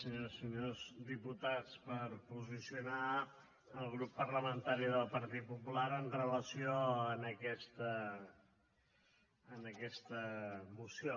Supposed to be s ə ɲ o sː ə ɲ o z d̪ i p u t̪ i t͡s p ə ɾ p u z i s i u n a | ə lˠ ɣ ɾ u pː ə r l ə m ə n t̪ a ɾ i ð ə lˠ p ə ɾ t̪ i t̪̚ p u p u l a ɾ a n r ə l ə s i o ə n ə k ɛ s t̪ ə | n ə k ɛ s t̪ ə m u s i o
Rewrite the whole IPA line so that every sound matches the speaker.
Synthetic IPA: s ə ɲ o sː ə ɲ o z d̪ i p u t̪ a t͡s p ə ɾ p u z i s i u n a | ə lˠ ɣ ɾ u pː ə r l ə m ə n t̪ a ɾ i ð ə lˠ p ə ɾ t̪ i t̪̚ p u p u l a ɾ ə n r ə l ə s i o ə n ə k ɛ s t̪ ə | n ə k ɛ s t̪ ə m u s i o